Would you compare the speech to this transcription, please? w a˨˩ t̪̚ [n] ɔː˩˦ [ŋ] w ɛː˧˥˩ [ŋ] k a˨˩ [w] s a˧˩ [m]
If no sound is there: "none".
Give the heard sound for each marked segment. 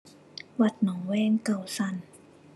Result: n, ŋ, ŋ, w, n

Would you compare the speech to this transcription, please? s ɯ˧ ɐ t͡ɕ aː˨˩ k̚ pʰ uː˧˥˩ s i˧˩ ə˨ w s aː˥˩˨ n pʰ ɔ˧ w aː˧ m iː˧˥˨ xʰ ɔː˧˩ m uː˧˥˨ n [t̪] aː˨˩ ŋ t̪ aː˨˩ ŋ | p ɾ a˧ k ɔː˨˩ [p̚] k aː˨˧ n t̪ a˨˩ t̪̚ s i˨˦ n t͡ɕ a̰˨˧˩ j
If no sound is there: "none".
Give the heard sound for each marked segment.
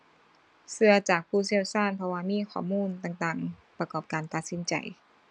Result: t̪, p̚

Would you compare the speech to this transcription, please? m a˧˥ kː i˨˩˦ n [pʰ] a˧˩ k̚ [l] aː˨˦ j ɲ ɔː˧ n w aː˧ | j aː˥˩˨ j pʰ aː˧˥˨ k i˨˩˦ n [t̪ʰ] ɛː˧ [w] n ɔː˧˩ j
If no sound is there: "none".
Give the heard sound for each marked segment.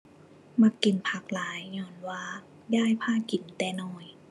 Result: pʰ, l, t̪, none

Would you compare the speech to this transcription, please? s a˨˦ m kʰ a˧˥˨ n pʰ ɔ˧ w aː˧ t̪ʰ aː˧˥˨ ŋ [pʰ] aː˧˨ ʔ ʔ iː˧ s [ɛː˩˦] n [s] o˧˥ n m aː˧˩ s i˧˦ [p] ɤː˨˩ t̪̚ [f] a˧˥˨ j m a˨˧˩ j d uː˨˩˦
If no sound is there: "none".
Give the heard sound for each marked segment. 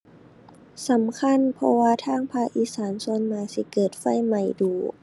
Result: pʰ, aː˩˦, s, k, f

